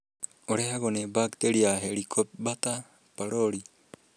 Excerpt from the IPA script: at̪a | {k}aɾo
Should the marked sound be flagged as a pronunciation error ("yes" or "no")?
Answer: yes